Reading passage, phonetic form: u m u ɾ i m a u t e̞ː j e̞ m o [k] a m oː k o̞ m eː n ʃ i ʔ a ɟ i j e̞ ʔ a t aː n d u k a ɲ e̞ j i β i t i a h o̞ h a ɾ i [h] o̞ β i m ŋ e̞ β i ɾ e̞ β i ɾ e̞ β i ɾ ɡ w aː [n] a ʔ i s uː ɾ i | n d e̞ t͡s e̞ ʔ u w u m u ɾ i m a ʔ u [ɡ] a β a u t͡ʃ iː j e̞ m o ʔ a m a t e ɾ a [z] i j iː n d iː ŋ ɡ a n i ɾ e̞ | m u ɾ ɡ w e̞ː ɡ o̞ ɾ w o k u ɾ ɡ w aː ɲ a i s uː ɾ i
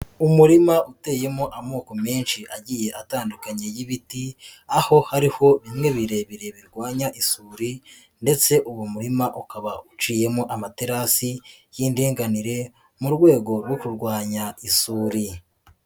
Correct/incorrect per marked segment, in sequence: incorrect, correct, incorrect, incorrect, incorrect

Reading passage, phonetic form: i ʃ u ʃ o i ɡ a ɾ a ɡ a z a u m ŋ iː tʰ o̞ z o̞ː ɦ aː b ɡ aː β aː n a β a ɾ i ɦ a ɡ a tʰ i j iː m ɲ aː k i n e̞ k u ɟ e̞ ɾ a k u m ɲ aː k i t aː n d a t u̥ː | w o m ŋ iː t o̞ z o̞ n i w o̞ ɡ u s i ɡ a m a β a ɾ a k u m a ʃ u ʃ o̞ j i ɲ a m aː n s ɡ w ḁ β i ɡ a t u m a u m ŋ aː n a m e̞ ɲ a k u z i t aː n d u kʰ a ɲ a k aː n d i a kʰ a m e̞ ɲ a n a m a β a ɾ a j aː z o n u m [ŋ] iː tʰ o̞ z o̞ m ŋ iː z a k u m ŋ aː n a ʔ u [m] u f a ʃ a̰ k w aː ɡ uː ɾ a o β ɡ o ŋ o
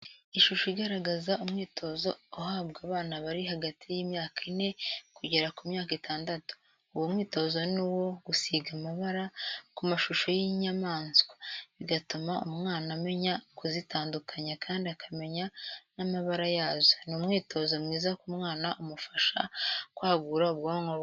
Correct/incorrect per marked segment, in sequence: correct, correct

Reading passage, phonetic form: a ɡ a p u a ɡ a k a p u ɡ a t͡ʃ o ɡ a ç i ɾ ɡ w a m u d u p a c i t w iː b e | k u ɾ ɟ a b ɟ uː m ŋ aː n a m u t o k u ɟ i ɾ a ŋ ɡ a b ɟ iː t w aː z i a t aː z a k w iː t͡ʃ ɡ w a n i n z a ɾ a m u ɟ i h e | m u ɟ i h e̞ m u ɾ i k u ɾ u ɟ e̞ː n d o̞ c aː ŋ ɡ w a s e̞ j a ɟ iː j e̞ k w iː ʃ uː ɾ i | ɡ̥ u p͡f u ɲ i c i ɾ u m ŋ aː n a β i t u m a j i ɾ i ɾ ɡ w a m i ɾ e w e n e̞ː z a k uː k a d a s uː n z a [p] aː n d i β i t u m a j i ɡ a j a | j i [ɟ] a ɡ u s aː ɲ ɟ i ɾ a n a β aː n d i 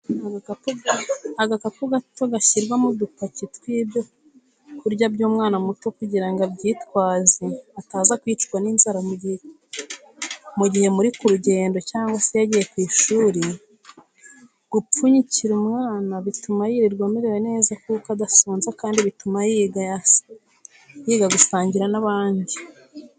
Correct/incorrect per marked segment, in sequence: incorrect, incorrect

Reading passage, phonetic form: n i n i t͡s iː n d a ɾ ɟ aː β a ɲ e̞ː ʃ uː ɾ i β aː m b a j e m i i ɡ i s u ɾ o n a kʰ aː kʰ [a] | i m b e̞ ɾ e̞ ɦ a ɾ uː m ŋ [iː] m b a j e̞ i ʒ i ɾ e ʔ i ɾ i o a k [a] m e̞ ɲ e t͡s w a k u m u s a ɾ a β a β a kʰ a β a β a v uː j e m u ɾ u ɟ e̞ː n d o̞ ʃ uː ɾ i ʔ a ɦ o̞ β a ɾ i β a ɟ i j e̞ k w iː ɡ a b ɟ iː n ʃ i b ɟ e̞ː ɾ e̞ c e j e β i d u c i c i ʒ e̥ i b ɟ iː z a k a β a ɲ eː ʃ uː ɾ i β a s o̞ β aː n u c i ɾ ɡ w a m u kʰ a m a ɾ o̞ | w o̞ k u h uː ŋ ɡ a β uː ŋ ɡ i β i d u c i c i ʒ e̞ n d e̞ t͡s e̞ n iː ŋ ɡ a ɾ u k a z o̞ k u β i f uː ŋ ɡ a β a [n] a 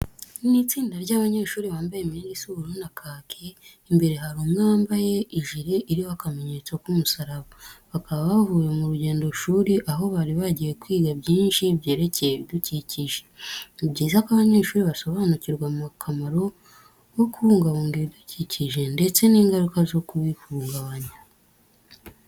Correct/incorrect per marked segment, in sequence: incorrect, incorrect, correct, incorrect

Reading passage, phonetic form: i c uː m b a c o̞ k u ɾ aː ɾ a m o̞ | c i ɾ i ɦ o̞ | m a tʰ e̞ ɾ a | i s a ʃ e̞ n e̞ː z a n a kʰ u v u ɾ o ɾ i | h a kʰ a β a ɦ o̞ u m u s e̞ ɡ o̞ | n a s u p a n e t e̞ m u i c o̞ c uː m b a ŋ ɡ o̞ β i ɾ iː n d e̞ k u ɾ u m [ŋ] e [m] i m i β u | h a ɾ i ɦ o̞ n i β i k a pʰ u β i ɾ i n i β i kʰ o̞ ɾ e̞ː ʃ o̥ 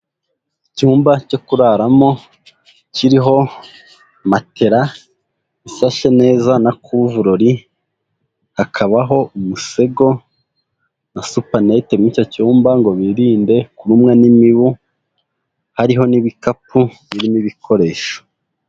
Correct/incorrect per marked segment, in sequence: correct, incorrect

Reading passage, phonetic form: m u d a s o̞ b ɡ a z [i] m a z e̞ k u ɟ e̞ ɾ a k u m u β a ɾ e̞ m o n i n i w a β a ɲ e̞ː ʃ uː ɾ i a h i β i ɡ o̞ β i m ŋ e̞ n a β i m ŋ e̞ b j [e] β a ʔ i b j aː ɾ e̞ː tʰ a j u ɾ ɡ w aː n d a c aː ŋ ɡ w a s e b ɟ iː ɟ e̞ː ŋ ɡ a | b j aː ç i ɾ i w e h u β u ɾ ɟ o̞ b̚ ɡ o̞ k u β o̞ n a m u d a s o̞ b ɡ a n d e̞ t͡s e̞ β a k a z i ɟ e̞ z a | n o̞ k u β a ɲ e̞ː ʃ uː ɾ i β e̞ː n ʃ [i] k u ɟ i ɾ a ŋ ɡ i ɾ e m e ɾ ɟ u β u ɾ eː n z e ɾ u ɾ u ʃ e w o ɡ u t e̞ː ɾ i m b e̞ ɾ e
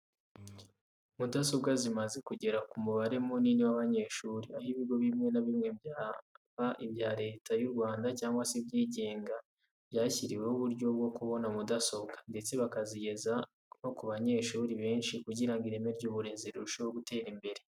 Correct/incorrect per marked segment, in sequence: correct, incorrect, correct

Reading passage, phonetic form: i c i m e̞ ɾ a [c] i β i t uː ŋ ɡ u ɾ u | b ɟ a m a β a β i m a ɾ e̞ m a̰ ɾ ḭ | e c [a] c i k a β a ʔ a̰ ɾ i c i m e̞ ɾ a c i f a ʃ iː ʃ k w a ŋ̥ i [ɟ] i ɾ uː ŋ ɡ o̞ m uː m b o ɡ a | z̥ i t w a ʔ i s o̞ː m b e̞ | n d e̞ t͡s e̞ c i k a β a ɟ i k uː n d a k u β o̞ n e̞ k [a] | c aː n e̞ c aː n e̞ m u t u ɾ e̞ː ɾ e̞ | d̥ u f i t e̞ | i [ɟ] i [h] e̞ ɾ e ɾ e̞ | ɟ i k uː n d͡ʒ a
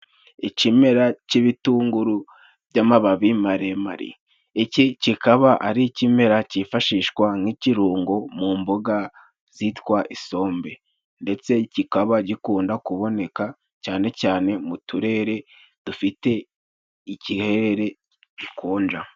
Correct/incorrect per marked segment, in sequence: correct, incorrect, incorrect, correct, incorrect, correct

